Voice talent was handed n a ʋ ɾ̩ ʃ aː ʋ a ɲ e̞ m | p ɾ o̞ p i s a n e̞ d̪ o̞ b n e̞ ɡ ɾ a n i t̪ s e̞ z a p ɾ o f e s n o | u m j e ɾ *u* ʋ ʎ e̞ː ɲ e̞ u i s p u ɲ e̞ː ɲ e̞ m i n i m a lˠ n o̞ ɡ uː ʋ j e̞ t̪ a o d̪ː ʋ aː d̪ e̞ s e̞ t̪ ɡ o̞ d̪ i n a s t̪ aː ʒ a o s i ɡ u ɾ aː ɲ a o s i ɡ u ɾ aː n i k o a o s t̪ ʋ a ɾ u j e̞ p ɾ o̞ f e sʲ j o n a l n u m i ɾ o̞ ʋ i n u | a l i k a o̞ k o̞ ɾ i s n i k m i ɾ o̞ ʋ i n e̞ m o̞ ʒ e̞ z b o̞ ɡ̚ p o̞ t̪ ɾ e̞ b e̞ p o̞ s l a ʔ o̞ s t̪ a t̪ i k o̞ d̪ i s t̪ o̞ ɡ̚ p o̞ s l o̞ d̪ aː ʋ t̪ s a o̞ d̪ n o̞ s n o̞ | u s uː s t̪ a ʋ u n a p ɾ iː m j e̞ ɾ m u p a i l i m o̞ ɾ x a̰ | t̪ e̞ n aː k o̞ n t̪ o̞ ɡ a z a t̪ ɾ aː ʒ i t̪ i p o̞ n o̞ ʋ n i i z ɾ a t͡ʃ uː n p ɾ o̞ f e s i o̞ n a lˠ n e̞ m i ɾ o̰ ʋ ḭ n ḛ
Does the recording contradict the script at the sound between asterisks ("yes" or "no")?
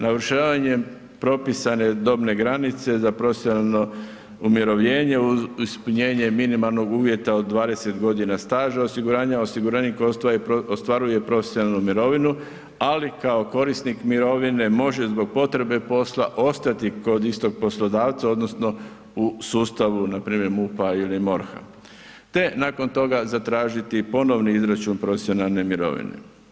yes